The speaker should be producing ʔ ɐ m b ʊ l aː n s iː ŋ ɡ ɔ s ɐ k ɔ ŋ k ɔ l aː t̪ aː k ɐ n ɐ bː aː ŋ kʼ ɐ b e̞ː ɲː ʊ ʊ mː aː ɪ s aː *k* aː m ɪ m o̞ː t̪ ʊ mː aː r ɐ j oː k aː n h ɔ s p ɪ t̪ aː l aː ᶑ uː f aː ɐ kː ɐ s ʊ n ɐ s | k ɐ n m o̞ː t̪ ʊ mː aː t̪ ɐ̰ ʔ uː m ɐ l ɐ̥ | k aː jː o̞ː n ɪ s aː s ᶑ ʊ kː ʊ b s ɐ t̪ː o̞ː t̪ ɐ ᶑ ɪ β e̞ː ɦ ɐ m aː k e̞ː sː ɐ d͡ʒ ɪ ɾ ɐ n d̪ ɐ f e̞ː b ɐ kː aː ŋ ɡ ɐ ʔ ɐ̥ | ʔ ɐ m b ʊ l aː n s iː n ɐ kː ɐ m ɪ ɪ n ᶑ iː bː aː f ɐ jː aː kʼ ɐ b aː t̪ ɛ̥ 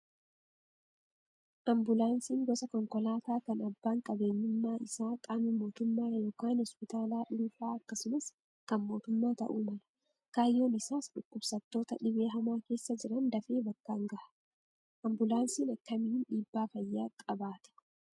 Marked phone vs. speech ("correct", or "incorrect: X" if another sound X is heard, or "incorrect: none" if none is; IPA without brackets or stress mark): incorrect: kʼ